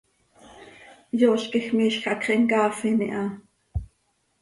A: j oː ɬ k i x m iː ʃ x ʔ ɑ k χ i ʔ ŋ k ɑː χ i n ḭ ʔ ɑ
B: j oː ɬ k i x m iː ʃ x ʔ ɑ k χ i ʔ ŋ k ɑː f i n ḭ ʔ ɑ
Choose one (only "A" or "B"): B